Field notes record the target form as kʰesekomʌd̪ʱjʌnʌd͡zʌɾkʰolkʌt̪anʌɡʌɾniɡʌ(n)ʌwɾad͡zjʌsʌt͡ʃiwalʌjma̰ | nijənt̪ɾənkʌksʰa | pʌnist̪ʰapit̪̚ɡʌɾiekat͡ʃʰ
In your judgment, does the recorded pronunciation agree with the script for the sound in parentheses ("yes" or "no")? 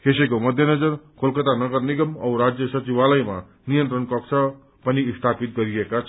no